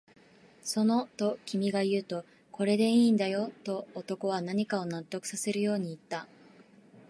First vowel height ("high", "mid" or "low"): mid